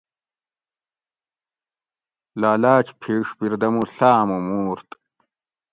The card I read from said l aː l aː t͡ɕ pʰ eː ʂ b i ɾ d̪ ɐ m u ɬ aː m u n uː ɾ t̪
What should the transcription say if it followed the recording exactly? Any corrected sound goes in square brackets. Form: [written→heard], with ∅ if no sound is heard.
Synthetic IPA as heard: l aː l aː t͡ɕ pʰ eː ʂ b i ɾ d̪ ɐ m u ɬ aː m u [n→m] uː ɾ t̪

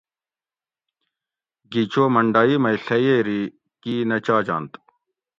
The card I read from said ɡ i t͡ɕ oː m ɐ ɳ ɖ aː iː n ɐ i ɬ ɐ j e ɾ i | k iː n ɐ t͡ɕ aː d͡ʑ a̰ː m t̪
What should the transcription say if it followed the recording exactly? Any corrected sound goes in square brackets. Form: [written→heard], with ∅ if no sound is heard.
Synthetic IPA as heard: ɡ i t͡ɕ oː m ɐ ɳ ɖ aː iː [n→m] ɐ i ɬ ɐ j e ɾ i | k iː n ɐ t͡ɕ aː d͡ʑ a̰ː [m→n] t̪

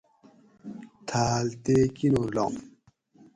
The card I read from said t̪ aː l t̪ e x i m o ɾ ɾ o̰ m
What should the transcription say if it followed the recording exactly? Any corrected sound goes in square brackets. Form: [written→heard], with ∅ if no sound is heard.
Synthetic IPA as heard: [t̪→t̪ʰ] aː l t̪ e [x→k] i [m→n] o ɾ [ɾ→l] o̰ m

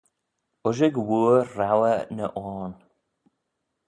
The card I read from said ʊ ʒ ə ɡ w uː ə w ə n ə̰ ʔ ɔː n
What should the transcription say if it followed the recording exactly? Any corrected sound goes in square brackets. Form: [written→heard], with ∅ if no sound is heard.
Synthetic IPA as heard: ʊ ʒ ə ɡ w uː [ə→a] w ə n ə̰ ʔ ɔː n

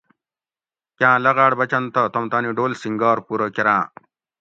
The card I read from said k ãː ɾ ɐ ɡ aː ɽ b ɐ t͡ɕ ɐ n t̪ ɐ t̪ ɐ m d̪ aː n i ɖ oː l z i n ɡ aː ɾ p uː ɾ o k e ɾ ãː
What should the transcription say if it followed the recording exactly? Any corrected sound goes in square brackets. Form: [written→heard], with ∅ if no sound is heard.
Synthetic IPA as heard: k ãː [ɾ→l] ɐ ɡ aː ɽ b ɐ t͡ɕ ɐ n t̪ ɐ t̪ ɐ m [d̪→t̪] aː n i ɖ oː l [z→s] i [n→ŋ] ɡ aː ɾ p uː ɾ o k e ɾ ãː

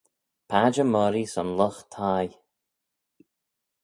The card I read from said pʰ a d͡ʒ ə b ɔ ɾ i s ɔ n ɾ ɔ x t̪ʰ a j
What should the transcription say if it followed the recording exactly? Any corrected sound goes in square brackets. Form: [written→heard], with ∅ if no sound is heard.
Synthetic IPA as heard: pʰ a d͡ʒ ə [b→m] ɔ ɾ i s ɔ n [ɾ→l] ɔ x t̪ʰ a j

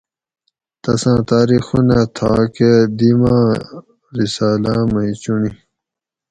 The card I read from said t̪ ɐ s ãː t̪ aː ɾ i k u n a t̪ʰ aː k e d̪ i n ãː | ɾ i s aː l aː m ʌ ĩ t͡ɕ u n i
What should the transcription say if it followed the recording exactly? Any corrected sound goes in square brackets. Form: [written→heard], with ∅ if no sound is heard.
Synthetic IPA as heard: t̪ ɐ s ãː t̪ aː ɾ i [k→x] u n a t̪ʰ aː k e d̪ i [n→m] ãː | ɾ i s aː l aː m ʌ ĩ t͡ɕ u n i

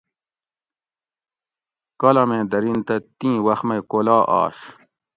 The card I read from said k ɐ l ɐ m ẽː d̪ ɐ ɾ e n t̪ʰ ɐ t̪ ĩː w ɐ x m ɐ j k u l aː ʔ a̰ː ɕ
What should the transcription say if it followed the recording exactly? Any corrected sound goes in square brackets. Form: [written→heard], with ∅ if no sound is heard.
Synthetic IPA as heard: k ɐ l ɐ m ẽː d̪ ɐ ɾ [e→i] n [t̪ʰ→t̪] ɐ t̪ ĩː w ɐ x m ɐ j k [u→o] l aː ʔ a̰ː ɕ

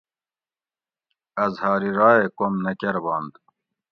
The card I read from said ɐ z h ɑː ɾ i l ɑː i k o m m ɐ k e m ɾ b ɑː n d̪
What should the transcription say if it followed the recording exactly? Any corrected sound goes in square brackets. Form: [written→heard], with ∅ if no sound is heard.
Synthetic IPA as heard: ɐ z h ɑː ɾ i [l→ɾ] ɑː [i→e] k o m [m→n] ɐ k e [m→∅] ɾ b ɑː n d̪

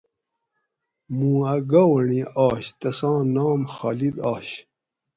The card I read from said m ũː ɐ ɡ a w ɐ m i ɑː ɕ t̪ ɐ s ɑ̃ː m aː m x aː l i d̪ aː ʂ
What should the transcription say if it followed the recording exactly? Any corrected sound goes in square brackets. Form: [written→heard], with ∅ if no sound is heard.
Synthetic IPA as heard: m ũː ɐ ɡ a w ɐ [m→ɳ] i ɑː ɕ t̪ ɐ s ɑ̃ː [m→n] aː m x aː l i d̪ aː [ʂ→ɕ]

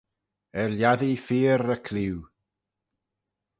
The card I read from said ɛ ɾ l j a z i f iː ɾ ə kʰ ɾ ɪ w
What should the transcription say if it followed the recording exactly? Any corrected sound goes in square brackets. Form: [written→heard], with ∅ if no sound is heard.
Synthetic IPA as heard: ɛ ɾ l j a [z→ð] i f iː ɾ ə kʰ [ɾ→l] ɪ w

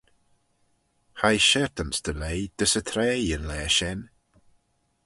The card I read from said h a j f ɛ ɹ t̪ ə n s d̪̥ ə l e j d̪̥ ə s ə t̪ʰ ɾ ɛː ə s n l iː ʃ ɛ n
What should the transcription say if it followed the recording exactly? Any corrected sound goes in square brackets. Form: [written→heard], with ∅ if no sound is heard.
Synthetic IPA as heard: h a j [f→ʃ] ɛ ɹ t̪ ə n s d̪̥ ə l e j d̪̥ ə s ə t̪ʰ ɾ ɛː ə [s→∅] n l [iː→ɛː] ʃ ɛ n

